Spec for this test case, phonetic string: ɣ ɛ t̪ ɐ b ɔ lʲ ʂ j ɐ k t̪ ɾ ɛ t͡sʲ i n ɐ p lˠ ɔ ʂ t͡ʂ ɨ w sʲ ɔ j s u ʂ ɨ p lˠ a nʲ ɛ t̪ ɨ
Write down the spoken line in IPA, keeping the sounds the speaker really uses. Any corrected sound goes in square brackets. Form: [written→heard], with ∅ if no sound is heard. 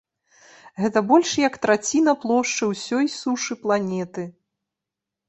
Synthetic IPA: ɣ ɛ t̪ ɐ b ɔ lʲ ʂ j ɐ k t̪ ɾ [ɛ→a] t͡sʲ i n ɐ p lˠ ɔ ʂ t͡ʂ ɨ w sʲ ɔ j s u ʂ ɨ p lˠ a nʲ ɛ t̪ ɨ